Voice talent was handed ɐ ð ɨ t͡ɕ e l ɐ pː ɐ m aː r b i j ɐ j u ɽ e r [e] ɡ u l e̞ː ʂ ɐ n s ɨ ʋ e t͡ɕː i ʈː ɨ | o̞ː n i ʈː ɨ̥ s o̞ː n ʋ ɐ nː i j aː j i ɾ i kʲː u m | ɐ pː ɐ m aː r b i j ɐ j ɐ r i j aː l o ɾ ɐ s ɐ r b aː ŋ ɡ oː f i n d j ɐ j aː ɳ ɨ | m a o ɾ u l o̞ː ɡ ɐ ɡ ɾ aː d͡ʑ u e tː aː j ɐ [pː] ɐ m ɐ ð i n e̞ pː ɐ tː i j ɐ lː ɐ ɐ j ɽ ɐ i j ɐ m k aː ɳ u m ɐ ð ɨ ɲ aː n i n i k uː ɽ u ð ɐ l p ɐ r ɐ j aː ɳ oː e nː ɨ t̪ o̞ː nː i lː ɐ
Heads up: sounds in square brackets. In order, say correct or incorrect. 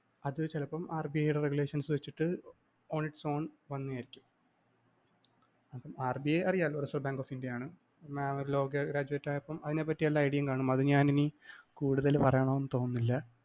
correct, correct

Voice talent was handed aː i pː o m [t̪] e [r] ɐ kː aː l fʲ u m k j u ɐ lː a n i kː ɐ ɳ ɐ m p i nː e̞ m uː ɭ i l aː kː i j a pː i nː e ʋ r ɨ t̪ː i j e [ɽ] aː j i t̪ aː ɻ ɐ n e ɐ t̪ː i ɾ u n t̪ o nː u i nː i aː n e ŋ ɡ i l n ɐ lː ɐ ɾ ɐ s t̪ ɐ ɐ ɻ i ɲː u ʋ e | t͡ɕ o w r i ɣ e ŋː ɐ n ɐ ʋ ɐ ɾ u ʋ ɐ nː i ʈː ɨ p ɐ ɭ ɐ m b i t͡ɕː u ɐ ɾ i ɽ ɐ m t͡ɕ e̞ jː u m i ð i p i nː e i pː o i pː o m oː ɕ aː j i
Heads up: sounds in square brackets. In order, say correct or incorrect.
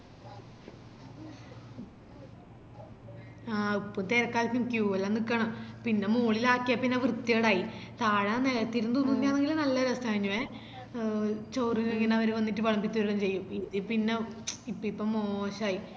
correct, incorrect: ɾ, correct

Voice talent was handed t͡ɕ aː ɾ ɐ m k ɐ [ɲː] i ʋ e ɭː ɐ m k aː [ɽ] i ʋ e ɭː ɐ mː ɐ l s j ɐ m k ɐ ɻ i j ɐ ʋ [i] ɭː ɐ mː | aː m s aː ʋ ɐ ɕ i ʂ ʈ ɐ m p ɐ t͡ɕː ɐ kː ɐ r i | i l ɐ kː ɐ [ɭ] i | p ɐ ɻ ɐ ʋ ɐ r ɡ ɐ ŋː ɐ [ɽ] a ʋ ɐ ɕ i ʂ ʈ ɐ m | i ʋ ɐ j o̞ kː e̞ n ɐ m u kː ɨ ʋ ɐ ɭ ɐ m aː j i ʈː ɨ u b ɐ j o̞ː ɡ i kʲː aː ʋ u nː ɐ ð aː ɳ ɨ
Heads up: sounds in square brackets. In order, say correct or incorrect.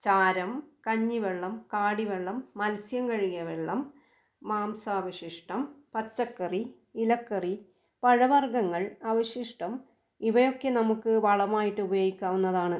correct, correct, incorrect: e, incorrect: r, incorrect: ɭ

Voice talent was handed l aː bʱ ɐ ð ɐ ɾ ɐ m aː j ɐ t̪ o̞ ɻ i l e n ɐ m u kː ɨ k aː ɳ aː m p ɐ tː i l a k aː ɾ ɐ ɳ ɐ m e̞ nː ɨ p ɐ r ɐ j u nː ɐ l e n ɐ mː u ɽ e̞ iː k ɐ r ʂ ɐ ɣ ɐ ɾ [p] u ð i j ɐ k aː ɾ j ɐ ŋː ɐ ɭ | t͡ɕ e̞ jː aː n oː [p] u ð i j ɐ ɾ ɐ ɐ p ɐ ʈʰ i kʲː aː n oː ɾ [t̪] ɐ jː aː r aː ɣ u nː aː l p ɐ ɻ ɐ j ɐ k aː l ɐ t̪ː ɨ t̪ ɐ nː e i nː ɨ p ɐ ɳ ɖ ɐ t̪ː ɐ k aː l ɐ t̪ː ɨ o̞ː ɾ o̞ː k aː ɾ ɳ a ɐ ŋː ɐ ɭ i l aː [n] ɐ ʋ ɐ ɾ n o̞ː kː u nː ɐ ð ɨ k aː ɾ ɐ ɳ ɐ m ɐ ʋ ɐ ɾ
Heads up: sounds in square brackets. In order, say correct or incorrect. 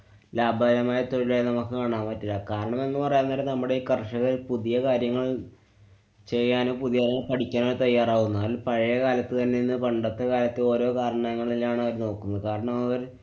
correct, correct, correct, incorrect: ɳ

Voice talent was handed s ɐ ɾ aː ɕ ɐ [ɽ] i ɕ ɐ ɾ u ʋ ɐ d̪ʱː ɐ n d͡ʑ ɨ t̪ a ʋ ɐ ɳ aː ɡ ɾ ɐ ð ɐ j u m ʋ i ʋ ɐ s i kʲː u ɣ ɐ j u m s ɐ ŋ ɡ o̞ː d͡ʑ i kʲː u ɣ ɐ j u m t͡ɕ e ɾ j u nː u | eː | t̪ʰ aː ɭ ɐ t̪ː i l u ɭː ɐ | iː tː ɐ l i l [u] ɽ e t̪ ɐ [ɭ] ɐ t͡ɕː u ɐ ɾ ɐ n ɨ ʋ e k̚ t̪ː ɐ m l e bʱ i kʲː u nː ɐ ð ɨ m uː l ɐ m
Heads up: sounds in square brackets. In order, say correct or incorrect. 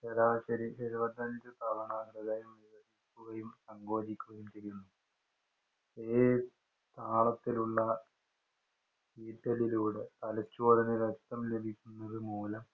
incorrect: ɾ, incorrect: uː, incorrect: l

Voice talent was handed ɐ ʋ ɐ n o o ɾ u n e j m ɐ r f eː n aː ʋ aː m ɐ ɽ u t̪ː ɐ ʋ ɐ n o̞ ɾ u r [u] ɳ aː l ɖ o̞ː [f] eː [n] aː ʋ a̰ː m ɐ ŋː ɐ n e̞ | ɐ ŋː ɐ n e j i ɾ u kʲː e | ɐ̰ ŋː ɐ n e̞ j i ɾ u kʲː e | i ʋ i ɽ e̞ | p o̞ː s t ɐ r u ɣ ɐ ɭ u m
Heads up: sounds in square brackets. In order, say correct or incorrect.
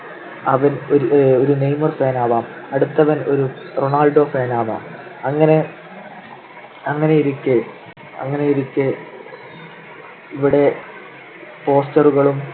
incorrect: o, correct, correct

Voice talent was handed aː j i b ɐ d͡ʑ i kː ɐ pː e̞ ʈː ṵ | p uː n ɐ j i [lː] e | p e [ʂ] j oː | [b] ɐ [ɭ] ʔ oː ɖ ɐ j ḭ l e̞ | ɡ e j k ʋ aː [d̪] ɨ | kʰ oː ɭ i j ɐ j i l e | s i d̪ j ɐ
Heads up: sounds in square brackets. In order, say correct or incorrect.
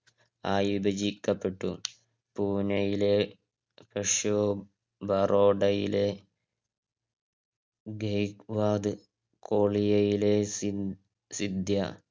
incorrect: l, correct, correct, incorrect: r, correct

